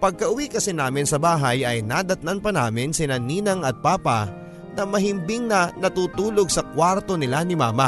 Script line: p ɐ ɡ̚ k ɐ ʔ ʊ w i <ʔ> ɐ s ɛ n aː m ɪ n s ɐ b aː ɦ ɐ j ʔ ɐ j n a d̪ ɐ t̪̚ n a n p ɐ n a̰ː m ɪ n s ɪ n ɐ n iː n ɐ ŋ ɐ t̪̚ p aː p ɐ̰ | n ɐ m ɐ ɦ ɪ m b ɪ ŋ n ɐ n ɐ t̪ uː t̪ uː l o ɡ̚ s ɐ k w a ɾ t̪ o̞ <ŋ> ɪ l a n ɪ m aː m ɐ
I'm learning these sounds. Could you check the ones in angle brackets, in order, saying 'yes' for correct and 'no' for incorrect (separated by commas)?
no, no